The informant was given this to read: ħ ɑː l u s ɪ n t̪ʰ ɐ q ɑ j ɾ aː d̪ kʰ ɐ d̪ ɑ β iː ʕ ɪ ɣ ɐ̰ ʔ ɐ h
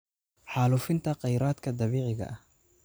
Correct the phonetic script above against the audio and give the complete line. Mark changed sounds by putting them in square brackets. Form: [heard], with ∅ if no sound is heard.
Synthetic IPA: ħ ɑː l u [f] ɪ n t̪ʰ ɐ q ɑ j ɾ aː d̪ kʰ ɐ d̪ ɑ β iː ʕ ɪ ɣ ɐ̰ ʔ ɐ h